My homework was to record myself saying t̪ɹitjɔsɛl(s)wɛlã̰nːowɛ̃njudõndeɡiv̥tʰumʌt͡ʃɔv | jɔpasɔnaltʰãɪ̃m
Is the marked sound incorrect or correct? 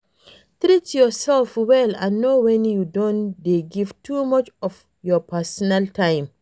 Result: incorrect: f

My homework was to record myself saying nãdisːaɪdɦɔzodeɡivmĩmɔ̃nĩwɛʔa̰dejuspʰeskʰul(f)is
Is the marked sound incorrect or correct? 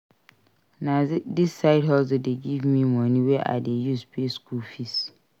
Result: correct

